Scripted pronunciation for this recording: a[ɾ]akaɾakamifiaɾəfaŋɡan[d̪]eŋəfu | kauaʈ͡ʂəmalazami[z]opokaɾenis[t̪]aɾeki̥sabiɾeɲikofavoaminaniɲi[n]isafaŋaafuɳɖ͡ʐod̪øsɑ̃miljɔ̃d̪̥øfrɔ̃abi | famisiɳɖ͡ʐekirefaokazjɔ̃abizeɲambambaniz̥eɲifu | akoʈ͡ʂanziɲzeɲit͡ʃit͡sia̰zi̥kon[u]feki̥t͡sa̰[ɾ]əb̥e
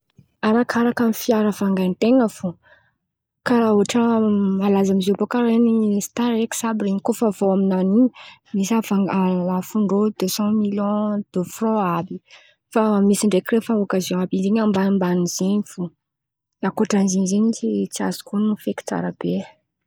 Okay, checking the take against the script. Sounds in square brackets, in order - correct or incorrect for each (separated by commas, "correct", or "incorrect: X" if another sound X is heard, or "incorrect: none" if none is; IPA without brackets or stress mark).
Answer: correct, incorrect: t̪, correct, correct, incorrect: m, correct, correct